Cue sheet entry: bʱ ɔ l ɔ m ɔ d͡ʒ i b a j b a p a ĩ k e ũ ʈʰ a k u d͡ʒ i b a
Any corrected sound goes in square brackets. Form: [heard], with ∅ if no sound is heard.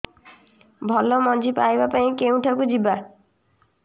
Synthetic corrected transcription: bʱ ɔ l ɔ m ɔ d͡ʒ i [p] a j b a p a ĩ k e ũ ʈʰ a k u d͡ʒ i b a